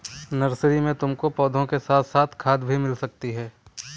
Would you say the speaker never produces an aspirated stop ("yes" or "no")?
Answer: no